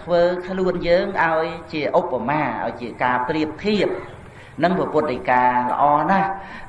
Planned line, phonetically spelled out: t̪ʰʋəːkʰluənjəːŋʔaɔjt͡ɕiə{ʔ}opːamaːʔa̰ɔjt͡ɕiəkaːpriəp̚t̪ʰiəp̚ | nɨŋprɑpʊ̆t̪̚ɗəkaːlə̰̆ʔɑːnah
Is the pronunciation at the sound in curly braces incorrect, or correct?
correct